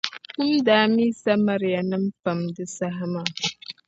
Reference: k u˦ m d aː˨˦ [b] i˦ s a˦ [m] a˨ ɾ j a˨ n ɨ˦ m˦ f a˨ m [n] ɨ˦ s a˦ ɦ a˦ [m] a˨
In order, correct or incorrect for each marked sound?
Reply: incorrect: m, correct, incorrect: d, correct

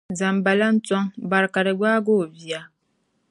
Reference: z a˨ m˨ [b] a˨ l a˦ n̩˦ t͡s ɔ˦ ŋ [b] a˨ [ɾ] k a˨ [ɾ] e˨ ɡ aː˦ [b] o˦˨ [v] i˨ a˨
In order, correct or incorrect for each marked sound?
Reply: correct, correct, correct, correct, incorrect: ɡ, correct

